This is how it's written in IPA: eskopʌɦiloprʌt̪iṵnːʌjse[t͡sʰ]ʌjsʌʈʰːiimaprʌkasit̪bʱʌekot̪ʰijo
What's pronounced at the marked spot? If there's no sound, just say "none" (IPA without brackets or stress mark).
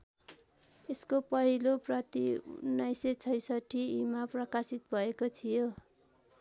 t͡sʰ